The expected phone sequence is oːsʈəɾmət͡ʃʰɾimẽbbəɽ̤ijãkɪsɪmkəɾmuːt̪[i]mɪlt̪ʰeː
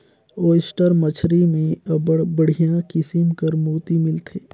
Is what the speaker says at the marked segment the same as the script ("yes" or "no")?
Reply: yes